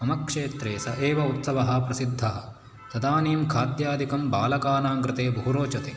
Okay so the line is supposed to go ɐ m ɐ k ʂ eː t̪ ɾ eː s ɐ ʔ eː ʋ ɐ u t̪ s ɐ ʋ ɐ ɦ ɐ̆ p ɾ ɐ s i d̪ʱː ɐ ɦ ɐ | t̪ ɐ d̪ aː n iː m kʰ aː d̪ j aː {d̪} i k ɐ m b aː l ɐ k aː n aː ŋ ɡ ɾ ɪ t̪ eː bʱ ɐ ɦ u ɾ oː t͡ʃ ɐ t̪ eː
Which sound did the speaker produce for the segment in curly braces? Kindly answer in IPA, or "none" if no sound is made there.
d̪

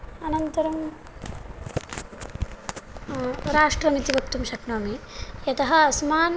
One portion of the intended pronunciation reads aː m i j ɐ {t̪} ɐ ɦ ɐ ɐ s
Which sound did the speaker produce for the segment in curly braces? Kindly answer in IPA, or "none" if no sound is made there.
t̪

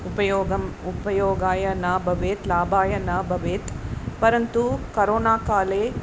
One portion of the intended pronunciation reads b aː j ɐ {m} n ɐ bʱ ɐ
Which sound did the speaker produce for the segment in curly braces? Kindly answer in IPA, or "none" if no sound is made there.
none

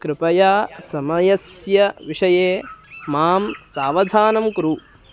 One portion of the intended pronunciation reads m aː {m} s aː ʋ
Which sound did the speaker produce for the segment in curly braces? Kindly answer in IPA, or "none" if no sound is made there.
m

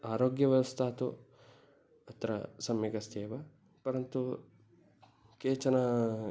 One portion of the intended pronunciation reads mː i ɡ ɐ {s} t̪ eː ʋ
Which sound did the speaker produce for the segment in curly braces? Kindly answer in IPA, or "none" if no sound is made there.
s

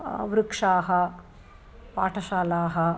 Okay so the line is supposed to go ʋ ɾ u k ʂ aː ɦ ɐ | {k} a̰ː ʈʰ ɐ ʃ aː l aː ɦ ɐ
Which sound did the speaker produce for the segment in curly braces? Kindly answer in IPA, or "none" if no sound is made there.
p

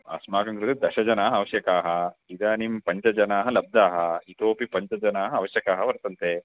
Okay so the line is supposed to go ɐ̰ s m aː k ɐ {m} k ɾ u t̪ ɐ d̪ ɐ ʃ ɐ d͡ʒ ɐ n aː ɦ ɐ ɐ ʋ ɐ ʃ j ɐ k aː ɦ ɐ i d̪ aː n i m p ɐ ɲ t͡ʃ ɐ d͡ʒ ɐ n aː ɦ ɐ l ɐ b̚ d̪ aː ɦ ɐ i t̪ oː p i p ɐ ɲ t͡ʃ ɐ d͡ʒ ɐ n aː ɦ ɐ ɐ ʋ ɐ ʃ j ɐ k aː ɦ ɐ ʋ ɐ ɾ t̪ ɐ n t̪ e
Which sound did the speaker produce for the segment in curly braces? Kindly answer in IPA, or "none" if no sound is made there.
ŋ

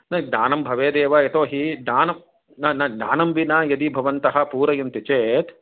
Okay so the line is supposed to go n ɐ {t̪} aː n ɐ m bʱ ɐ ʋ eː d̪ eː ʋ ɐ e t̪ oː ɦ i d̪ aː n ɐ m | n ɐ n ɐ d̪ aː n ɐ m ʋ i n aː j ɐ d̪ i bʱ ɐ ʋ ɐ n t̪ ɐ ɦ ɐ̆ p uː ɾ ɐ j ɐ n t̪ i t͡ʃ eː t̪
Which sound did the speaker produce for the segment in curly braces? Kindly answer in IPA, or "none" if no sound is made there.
d̪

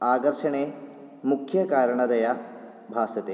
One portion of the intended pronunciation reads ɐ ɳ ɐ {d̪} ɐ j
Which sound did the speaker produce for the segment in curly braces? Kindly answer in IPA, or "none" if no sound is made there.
d̪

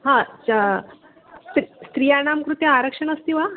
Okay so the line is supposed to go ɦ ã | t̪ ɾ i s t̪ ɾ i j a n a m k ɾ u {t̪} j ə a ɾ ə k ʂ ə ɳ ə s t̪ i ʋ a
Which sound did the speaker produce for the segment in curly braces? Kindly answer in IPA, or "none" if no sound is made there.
t̪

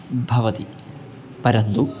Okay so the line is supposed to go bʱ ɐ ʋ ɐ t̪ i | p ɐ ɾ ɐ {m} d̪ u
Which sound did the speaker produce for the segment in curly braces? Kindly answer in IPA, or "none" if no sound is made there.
n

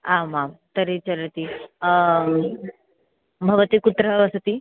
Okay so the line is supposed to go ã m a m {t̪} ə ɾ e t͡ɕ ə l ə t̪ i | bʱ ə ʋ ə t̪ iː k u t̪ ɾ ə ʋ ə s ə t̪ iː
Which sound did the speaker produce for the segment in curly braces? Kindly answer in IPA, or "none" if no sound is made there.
t̪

